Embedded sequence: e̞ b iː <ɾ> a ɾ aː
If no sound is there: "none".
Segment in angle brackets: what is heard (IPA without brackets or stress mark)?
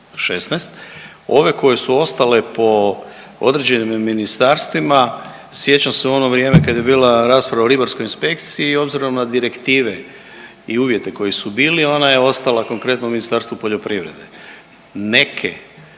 l